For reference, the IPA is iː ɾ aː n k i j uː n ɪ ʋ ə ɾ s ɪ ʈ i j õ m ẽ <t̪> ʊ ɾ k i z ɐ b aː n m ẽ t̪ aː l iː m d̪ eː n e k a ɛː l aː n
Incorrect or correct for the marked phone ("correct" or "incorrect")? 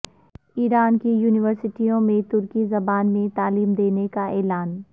correct